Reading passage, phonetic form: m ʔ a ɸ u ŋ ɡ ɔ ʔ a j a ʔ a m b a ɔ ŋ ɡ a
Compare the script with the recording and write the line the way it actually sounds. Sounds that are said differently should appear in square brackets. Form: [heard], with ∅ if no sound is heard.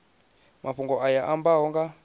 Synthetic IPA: m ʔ a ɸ u ŋ ɡ ɔ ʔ a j a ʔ a m b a ɔ ŋ ɡ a